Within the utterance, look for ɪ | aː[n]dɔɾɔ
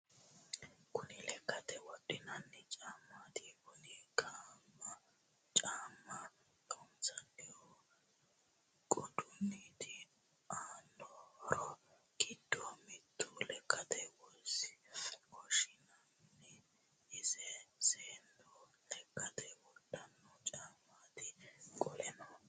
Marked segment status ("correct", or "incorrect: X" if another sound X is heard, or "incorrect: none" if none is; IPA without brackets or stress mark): correct